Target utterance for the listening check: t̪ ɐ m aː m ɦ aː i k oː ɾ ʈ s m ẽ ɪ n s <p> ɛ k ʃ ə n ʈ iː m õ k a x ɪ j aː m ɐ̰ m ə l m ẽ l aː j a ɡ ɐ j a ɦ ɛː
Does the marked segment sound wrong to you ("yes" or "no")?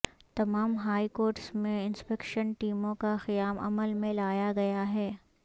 no